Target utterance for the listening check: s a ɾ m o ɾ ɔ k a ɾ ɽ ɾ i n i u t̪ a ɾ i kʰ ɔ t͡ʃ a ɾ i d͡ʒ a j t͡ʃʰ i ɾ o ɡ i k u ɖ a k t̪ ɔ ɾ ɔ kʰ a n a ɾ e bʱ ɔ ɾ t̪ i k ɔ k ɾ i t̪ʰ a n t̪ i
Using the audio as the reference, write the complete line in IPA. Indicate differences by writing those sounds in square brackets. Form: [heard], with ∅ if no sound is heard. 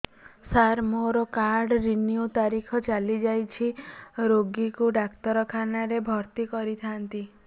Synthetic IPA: s a ɾ m o ɾ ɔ k a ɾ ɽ ɾ i n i u t̪ a ɾ i kʰ ɔ t͡ʃ a [l] i d͡ʒ a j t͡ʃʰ i ɾ o ɡ i k u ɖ a k t̪ ɔ ɾ ɔ kʰ a n a ɾ e bʱ ɔ ɾ t̪ i k ɔ [∅] ɾ i t̪ʰ a n t̪ i